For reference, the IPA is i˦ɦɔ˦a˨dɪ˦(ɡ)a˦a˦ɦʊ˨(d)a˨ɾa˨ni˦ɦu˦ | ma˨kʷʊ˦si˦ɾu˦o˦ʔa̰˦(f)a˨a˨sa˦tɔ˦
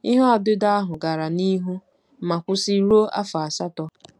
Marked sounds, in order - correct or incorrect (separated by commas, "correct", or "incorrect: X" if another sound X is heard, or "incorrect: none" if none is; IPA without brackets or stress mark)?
incorrect: d, incorrect: ɡ, correct